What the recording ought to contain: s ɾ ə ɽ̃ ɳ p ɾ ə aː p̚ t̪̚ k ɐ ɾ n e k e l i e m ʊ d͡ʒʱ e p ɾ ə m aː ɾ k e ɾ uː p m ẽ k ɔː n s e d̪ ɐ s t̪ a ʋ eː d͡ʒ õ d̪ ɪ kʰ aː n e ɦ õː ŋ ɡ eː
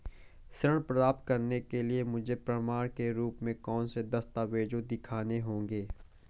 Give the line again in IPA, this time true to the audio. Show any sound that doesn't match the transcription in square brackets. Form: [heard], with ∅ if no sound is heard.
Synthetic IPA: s ɾ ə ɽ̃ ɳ p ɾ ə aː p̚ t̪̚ k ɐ ɾ n e k e l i e m ʊ d͡ʒʱ e p ɾ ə m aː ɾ k e ɾ uː p m ẽ k ɔː n s e d̪ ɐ s t̪ a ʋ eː d͡ʒ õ d̪ ɪ kʰ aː n e ɦ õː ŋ ɡ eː